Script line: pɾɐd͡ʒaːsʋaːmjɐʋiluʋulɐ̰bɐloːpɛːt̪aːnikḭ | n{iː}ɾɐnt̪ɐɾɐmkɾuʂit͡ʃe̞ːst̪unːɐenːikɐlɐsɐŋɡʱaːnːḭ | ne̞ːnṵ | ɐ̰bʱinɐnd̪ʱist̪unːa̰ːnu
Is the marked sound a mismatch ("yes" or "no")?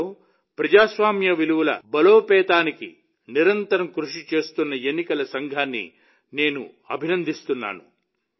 yes